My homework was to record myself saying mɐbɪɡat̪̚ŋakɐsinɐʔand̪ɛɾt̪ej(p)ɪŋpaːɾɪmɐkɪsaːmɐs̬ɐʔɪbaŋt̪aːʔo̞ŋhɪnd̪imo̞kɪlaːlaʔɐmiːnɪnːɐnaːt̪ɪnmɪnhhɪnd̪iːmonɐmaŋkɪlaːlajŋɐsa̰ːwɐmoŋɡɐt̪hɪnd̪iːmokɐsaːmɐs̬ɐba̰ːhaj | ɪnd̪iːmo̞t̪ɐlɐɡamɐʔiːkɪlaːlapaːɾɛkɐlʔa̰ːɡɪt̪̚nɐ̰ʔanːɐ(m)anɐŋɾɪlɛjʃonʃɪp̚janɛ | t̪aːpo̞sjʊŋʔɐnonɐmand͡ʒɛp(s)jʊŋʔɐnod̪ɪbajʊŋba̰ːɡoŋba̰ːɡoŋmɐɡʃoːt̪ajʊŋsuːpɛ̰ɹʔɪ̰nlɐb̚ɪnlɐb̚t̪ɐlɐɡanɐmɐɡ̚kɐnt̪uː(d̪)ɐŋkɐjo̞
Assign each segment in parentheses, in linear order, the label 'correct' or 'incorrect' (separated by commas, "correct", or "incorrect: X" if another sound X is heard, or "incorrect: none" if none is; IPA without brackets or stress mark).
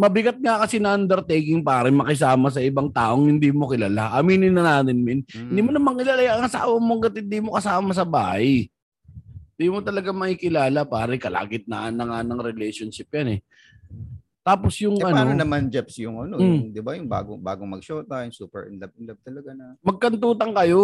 incorrect: k, incorrect: ŋ, correct, incorrect: t̪